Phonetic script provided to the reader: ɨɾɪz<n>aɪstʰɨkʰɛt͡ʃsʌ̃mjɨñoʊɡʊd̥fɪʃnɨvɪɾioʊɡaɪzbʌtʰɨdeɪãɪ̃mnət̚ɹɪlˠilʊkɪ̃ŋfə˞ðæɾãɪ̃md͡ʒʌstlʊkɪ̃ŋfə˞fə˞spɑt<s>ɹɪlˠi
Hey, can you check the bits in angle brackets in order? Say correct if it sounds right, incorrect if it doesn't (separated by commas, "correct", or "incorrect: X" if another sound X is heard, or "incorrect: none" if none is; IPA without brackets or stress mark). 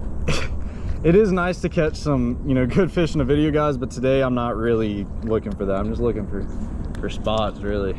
correct, correct